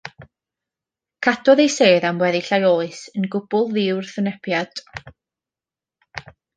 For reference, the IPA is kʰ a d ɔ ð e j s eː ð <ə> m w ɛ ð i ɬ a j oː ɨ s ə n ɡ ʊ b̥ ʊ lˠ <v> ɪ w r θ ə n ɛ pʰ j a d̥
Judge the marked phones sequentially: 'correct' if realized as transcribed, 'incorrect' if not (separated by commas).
incorrect, incorrect